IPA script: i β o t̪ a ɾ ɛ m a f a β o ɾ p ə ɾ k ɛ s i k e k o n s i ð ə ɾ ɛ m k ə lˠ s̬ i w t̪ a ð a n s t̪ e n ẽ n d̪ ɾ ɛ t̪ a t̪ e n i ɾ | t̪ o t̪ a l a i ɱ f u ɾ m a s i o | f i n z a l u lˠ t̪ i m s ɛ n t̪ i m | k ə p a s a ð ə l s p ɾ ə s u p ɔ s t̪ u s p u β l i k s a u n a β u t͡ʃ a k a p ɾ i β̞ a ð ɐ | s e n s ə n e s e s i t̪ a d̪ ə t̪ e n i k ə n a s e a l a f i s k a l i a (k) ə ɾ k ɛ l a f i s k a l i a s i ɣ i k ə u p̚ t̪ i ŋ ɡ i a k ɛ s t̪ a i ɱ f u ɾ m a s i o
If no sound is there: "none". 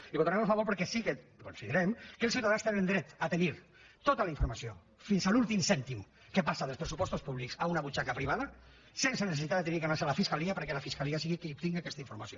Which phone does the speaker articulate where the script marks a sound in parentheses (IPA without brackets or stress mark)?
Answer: p